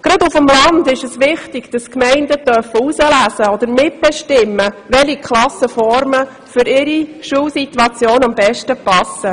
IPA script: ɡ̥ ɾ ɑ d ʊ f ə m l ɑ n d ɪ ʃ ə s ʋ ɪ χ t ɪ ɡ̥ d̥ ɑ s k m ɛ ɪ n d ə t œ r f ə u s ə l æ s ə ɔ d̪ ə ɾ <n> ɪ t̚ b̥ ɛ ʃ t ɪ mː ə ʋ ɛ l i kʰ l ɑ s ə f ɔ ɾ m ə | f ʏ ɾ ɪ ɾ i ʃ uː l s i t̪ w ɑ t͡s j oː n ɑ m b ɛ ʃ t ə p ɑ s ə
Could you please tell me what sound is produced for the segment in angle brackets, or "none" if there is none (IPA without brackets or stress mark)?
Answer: m